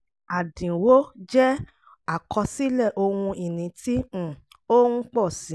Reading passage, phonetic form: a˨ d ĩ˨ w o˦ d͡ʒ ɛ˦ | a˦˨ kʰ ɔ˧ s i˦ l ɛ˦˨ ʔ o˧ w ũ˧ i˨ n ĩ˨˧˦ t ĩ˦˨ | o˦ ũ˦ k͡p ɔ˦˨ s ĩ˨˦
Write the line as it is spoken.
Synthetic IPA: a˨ d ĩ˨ w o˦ d͡ʒ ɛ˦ | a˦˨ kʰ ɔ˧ s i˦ l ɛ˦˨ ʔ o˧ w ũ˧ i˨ n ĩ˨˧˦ t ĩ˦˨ | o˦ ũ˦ k͡p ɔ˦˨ s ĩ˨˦